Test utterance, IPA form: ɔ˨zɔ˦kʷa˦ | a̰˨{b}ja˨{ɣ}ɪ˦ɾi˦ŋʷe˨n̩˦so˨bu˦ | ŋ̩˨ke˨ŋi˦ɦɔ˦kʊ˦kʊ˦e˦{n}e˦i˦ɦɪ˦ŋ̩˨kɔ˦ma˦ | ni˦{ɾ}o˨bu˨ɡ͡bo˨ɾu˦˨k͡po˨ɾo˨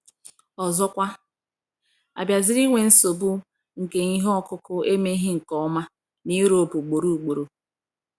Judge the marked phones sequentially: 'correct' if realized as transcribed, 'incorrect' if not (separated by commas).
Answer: correct, incorrect, incorrect, correct